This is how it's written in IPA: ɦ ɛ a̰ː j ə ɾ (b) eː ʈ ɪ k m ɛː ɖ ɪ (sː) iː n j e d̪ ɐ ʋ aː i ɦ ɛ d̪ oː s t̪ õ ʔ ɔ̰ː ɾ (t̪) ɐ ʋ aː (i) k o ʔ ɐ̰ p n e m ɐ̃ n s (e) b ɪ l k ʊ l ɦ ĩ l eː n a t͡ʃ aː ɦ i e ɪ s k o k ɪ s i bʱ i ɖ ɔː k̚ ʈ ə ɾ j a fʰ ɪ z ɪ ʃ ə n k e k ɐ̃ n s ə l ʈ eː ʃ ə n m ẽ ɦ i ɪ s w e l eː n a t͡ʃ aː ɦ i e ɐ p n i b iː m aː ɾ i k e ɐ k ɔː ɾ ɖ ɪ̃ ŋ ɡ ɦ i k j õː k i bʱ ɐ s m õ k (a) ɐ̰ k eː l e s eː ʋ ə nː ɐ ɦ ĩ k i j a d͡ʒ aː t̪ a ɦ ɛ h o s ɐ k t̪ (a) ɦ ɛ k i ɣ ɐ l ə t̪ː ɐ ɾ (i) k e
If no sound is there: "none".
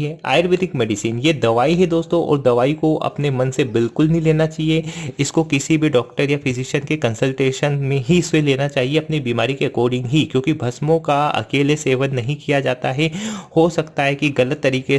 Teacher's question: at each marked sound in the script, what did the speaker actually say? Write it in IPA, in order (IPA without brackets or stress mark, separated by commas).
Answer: b, s, d̪, i, e, a, a, iː